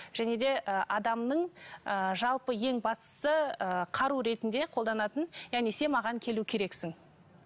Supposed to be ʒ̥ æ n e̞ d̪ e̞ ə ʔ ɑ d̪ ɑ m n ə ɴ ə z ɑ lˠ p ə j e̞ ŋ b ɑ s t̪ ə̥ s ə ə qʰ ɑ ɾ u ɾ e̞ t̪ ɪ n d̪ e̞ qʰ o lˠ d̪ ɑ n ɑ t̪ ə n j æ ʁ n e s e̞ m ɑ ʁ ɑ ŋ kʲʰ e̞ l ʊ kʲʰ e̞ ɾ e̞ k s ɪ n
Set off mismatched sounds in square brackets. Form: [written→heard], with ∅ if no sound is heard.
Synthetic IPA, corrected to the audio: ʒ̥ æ n e̞ d̪ e̞ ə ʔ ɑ d̪ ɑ m n ə ɴ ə [z→ʒ] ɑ lˠ p ə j e̞ ŋ b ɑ s t̪ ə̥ s ə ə qʰ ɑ ɾ u ɾ e̞ t̪ ɪ n d̪ e̞ qʰ o lˠ d̪ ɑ n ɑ t̪ ə n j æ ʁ n e s e̞ m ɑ ʁ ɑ ŋ kʲʰ e̞ l [ʊ→u] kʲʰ e̞ ɾ e̞ k s ɪ [n→ŋ]